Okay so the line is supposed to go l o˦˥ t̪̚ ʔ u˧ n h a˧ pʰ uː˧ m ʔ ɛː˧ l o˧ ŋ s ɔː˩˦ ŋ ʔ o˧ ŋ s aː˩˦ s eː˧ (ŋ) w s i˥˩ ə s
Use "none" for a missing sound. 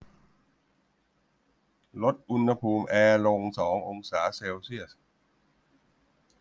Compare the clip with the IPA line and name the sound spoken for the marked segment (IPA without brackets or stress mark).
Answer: none